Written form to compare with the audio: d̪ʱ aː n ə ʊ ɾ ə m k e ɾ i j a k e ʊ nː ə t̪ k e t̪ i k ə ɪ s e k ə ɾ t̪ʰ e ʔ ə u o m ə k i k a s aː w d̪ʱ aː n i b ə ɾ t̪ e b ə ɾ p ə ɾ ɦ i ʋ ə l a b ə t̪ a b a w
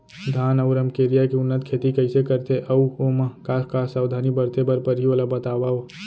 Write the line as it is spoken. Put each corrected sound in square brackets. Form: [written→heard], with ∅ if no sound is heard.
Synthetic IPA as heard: d̪ʱ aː n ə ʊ ɾ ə m k e ɾ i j a k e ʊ nː ə t̪ [k→kʰ] e t̪ i k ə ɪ s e k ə ɾ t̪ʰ e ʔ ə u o m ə k [i→a] k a s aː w d̪ʱ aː n i b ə ɾ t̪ e b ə ɾ p ə ɾ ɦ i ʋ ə l a b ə t̪ a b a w